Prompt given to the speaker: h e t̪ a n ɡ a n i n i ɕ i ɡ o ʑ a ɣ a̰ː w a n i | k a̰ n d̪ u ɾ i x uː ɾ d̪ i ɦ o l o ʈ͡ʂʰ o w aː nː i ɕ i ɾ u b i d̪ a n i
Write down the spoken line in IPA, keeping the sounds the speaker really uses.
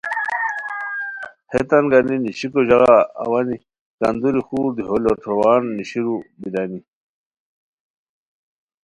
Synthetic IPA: h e t̪ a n ɡ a n i n i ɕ i k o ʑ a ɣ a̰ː w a n i | k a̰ n d̪ u ɾ i x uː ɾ d̪ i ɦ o l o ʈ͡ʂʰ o w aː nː i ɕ i ɾ u b i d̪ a n i